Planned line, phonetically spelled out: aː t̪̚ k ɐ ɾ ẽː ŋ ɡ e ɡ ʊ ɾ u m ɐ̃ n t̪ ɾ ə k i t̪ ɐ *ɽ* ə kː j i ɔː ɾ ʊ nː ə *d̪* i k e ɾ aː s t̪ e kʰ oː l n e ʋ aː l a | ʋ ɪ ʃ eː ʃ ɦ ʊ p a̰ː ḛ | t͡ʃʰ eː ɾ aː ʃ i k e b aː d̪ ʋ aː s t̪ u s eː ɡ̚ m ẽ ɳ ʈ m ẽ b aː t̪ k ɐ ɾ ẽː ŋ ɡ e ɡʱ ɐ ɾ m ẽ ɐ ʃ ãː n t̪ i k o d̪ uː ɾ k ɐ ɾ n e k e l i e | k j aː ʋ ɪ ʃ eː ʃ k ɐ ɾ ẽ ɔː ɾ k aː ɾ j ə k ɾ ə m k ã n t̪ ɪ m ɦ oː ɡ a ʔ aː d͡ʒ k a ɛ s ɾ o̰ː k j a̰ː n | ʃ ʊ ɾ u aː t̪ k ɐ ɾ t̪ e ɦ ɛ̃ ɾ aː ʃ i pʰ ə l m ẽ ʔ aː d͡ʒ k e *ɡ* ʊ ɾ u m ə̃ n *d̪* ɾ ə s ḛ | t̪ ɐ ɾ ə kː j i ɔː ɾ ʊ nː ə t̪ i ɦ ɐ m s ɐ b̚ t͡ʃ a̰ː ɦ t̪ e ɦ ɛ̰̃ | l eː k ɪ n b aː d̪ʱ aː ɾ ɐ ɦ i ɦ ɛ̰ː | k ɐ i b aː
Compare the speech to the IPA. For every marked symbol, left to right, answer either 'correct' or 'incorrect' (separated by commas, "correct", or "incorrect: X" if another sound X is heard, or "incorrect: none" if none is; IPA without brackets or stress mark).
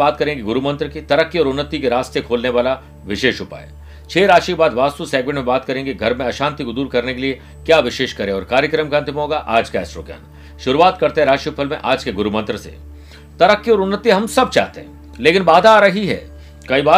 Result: incorrect: ɾ, incorrect: t̪, correct, incorrect: t̪